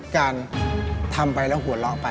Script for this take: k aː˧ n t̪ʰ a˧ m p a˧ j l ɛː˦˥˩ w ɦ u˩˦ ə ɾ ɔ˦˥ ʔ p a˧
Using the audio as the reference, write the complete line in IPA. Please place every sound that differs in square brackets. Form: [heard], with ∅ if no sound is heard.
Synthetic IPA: k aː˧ n t̪ʰ a˧ m p a˧ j l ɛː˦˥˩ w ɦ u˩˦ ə [l] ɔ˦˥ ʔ p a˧